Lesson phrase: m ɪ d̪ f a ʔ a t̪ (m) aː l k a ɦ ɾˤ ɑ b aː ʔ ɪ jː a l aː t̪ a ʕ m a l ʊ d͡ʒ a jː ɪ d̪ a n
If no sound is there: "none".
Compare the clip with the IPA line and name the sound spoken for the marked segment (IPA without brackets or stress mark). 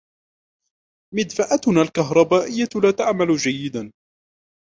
n